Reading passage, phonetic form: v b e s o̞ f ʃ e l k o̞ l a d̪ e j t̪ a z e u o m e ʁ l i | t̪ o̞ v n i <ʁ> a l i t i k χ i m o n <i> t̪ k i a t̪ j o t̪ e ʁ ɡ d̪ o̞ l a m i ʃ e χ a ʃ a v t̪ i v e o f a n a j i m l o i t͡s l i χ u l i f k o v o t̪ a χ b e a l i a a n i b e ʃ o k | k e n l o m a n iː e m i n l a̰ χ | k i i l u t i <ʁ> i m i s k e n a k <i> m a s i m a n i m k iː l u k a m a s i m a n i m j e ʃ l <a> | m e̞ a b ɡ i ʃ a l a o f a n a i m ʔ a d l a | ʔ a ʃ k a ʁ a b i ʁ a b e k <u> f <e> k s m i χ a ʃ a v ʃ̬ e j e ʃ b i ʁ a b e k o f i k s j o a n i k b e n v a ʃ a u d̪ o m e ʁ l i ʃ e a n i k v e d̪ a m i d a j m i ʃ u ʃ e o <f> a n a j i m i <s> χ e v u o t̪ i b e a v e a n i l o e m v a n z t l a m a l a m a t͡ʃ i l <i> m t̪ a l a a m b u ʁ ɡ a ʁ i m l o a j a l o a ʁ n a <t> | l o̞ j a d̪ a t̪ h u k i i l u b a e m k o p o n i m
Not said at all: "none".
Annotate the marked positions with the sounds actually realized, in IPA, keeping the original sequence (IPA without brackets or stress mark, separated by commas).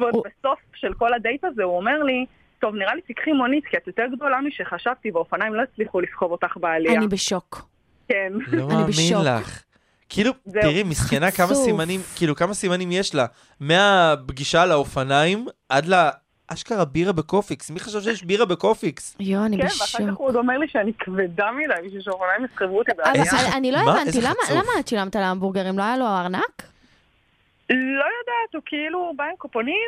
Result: ʁ, i, ʁ, a, a, o, i, f, s, a, k